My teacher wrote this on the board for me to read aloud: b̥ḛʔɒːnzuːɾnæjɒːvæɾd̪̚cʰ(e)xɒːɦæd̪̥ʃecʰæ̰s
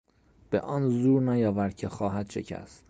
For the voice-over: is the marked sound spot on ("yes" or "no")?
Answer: yes